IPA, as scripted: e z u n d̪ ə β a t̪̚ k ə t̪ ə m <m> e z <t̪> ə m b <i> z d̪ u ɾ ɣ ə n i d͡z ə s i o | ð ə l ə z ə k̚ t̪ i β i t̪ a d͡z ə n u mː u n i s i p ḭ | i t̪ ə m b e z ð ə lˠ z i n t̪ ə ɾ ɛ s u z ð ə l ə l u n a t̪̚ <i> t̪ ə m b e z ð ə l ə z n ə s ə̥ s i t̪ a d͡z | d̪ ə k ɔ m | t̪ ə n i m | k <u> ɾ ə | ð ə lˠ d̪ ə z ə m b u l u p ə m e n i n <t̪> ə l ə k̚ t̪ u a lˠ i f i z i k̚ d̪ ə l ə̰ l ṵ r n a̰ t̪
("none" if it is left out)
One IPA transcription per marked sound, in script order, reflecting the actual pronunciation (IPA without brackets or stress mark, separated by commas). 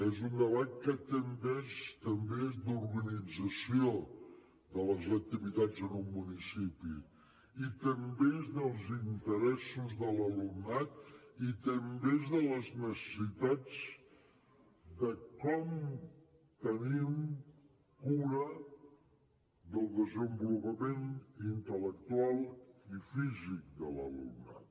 b, t̪, e, i, u, t̪